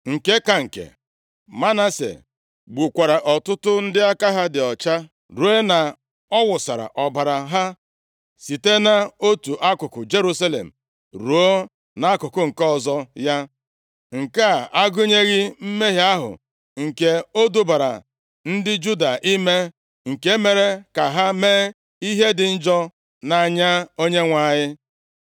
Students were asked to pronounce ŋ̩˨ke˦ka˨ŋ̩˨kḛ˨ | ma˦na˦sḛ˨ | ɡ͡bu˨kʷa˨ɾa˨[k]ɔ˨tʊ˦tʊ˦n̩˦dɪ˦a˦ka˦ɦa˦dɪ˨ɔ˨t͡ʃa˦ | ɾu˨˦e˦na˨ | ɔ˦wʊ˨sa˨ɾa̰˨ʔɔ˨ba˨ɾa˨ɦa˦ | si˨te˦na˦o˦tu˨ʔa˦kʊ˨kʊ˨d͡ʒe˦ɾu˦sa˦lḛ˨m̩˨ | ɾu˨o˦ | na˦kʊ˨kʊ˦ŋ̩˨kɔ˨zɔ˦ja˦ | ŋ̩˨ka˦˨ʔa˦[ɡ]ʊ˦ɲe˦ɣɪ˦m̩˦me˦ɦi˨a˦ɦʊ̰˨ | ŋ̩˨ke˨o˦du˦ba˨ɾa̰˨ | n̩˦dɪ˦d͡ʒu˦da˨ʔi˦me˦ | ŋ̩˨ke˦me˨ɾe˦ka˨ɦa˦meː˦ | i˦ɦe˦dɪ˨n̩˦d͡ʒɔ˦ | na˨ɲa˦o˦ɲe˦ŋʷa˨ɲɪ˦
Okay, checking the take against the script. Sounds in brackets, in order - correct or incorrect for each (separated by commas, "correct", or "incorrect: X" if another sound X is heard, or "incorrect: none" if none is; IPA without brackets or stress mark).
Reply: incorrect: ʔ, correct